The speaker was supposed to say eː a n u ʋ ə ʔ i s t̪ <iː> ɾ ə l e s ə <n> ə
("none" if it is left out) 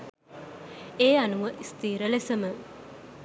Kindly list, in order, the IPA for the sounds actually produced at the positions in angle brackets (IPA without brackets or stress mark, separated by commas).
iː, m